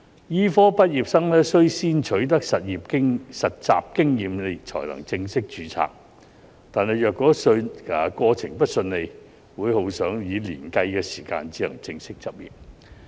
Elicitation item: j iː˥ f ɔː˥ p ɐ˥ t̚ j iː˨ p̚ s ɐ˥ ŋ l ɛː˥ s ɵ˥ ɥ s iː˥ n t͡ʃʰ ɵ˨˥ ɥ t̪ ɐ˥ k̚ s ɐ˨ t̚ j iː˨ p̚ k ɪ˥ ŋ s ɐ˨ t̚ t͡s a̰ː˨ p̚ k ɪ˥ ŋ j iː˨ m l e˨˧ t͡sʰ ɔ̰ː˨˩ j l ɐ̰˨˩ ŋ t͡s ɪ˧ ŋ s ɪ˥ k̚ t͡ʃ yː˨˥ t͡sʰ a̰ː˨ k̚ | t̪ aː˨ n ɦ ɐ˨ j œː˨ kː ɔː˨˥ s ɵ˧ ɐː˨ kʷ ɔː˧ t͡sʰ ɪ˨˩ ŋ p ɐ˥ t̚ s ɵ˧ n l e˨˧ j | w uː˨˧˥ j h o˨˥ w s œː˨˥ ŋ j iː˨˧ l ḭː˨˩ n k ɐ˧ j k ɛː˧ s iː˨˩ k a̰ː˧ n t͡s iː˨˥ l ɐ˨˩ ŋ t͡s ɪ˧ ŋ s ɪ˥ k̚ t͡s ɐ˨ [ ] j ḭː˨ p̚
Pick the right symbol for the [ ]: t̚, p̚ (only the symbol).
p̚